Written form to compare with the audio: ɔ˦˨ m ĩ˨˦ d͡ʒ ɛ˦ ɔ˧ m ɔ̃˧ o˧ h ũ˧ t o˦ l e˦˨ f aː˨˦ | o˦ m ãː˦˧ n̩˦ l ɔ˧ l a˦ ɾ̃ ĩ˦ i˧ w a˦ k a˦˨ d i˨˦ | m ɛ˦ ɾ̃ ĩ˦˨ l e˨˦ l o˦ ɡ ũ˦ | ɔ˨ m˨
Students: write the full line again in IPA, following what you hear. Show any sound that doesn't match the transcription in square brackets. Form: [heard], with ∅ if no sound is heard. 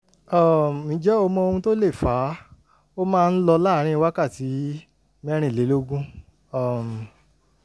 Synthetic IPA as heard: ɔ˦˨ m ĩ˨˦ d͡ʒ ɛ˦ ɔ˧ m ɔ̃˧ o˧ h ũ˧ t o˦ l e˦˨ f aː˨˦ | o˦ m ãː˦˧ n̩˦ l ɔ˧ l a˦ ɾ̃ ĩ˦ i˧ w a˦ k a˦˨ [t] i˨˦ | m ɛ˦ ɾ̃ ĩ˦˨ l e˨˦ l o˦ ɡ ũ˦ | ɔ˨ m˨